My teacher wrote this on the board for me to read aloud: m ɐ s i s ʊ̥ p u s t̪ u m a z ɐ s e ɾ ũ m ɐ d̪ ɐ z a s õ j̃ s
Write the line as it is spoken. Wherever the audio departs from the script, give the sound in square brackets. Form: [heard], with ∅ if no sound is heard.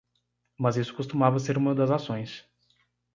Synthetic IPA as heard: m ɐ [z] i s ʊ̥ [k] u s t̪ u m a [v] ɐ s e ɾ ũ m ɐ d̪ ɐ z a s õ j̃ s